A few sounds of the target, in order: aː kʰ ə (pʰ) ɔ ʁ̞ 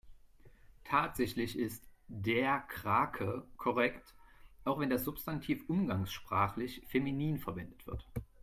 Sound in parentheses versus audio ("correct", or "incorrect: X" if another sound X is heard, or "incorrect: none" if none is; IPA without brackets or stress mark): incorrect: kʰ